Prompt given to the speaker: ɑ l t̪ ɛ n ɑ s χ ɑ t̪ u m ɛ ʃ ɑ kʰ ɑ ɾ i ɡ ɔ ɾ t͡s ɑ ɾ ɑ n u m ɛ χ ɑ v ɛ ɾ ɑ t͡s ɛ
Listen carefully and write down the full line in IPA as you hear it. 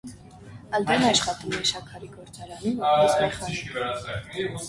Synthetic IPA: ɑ l d̪ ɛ n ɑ ʃ χ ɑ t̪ u m ɛ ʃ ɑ kʰ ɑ ɾ i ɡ ɔ ɾ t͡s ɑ ɾ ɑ n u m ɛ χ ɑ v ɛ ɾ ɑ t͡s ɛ